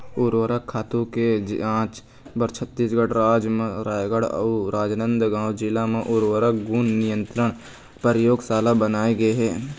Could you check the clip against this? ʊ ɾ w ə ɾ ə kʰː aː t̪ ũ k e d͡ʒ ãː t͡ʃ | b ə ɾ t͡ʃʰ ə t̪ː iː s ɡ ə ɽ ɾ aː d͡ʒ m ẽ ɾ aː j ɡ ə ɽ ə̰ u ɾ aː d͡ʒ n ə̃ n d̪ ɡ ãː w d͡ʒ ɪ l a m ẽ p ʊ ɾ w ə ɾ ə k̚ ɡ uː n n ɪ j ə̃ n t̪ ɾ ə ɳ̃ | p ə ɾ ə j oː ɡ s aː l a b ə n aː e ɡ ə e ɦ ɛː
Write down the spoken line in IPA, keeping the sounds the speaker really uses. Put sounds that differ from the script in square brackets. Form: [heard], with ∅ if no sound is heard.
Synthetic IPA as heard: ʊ ɾ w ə ɾ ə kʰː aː t̪ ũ k e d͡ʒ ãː t͡ʃ | b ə ɾ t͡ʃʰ ə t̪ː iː s ɡ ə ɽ ɾ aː d͡ʒ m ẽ ɾ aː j ɡ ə ɽ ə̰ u ɾ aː d͡ʒ n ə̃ n d̪ ɡ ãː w d͡ʒ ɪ l a m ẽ [ʔ] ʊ ɾ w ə ɾ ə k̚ ɡ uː n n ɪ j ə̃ n t̪ ɾ ə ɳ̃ | p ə ɾ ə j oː ɡ s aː l a b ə n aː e ɡ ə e ɦ ɛː